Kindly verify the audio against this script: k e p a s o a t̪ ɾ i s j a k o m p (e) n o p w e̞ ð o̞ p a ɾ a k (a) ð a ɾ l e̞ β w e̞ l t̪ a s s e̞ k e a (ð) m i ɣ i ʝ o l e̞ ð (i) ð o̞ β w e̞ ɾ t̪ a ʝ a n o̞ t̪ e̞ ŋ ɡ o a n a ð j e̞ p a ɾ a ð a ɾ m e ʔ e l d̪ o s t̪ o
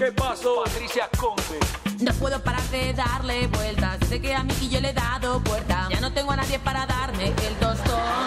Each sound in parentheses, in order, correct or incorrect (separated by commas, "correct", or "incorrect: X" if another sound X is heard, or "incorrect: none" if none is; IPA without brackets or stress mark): correct, incorrect: e, incorrect: none, incorrect: a